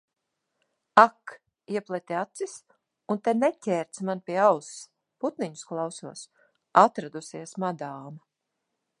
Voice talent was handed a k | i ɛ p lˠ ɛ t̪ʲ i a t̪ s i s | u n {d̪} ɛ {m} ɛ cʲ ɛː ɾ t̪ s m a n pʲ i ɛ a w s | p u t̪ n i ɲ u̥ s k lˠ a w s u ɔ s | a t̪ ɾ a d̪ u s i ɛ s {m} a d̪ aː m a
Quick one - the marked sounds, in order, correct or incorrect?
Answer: incorrect: t̪, incorrect: n, correct

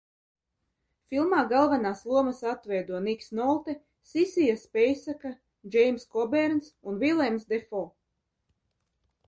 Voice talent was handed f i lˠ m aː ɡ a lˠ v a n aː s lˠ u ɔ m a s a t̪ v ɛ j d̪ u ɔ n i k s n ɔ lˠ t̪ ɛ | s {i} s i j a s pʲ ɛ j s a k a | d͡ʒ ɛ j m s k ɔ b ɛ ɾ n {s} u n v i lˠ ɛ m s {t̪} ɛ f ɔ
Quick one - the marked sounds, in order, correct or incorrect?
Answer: correct, correct, incorrect: d̪

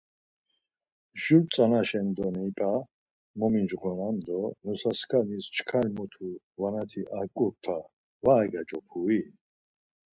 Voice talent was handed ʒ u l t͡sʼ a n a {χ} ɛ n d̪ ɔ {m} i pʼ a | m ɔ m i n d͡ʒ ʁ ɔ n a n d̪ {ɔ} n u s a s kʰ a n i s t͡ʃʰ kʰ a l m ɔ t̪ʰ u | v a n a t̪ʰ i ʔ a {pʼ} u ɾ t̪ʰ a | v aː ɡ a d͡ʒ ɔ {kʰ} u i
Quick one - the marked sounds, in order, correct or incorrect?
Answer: incorrect: ʃ, incorrect: n, correct, incorrect: kʼ, incorrect: pʰ

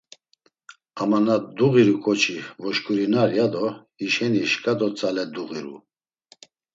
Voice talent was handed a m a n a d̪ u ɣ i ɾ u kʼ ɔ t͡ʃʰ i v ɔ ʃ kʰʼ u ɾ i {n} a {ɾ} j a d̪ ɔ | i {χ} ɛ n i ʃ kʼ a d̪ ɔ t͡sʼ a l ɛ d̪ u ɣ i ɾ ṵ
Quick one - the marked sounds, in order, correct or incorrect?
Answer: correct, correct, incorrect: ʃ

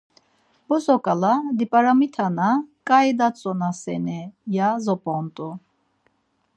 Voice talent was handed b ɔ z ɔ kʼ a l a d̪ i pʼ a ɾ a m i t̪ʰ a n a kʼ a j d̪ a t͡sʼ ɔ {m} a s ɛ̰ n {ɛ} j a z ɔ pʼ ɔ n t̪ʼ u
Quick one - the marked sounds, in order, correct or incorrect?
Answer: incorrect: n, correct

